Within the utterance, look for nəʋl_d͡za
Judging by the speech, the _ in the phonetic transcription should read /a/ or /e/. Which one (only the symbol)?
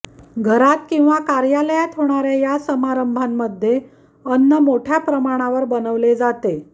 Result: e